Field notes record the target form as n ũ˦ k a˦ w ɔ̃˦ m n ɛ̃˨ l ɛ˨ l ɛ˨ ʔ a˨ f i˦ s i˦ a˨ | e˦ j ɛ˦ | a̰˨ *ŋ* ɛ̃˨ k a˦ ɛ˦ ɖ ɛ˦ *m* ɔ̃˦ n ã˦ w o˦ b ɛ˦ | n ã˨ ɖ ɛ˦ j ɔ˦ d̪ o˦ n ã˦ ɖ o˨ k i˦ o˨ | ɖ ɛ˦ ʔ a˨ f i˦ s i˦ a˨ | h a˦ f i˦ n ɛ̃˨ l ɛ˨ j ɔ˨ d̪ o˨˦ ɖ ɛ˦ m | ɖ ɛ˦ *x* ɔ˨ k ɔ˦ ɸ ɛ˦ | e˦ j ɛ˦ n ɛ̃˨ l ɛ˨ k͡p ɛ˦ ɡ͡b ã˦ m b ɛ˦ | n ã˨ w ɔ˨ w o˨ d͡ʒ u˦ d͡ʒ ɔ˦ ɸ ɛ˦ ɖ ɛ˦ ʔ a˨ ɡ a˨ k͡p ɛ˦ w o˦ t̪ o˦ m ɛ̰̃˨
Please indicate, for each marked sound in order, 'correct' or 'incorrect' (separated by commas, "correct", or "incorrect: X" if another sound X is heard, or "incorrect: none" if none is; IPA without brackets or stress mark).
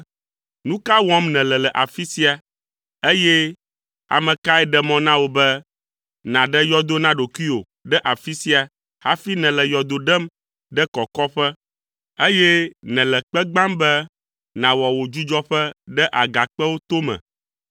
incorrect: m, correct, incorrect: k